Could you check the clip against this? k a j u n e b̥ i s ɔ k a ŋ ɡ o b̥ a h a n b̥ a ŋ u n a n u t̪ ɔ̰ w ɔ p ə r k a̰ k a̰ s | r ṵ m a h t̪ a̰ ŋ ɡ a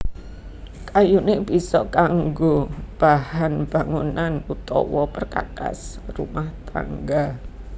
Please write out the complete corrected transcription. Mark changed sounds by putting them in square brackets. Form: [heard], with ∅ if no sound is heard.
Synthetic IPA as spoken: k a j u n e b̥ i s ɔ k a ŋ ɡ o b̥ a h a n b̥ a ŋ u n a n u t̪ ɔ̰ w ɔ p ə r k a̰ k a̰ s | r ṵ m a h t̪ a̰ ŋ ɡ a

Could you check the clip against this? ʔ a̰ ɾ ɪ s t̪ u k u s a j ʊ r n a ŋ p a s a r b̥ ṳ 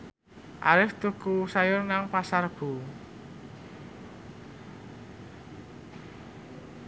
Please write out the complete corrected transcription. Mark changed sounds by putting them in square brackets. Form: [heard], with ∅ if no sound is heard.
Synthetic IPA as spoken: ʔ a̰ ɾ ɪ [f] t̪ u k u s a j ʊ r n a ŋ p a s a r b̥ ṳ

